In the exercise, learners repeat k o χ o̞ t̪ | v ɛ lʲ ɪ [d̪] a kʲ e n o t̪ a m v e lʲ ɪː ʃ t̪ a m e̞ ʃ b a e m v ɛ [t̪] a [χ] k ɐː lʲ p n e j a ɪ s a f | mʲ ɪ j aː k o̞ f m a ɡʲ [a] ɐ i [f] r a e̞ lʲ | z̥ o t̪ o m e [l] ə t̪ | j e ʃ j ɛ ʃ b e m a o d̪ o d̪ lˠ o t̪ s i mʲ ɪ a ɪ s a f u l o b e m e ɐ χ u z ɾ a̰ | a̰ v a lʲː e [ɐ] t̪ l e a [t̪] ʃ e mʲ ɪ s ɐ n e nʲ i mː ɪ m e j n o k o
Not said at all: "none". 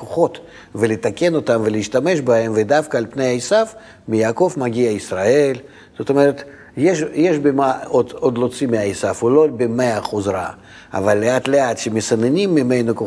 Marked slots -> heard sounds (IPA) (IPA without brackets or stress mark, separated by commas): t̪, d̪, f, i, s, ɾ, a, t̪